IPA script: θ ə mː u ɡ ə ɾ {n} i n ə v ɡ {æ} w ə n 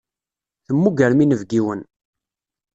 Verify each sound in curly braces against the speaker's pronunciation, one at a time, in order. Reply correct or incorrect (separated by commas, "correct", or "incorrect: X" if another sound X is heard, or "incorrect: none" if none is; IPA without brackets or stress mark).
incorrect: m, incorrect: i